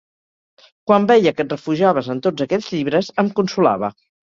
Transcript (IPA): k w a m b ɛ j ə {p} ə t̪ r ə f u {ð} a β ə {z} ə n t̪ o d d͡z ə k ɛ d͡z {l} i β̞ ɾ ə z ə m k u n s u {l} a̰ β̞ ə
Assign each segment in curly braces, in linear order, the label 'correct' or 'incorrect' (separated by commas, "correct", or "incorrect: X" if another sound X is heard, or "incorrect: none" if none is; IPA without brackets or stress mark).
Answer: incorrect: k, incorrect: ʒ, correct, incorrect: ʎ, correct